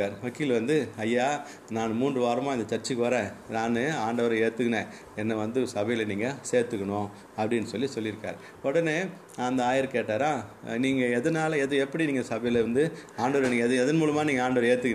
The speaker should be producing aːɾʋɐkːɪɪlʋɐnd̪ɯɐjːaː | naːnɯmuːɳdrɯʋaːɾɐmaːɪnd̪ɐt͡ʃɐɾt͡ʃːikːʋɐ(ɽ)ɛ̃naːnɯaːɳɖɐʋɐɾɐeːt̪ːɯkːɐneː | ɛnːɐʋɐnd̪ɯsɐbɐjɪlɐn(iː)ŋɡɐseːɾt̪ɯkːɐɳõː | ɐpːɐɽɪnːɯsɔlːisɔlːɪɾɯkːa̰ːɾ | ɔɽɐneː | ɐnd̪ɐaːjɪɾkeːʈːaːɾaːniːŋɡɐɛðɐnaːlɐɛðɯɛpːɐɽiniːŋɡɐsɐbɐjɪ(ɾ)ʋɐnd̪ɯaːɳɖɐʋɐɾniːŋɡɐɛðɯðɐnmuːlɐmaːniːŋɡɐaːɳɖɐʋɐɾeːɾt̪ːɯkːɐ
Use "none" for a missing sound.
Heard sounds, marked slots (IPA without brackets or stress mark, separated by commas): ɾ, iː, l